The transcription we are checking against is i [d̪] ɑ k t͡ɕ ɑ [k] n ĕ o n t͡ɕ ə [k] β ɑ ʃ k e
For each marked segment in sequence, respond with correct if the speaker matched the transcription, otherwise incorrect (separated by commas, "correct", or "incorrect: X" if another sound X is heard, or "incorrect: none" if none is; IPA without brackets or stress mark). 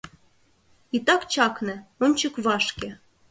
incorrect: t̪, correct, correct